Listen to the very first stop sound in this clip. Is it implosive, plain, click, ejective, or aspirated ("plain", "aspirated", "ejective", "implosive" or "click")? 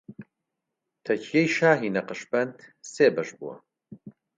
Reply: aspirated